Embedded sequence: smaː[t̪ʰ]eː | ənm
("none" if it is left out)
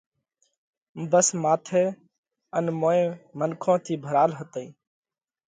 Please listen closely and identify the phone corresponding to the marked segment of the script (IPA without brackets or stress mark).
t̪ʰ